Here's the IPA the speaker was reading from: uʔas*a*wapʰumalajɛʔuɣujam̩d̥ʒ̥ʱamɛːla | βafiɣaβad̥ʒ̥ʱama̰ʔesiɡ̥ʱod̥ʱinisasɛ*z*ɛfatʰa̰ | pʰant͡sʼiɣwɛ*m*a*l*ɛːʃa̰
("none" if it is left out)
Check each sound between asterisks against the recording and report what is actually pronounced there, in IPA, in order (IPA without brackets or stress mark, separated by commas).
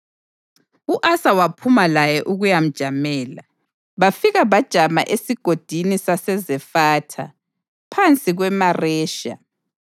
a, z, m, r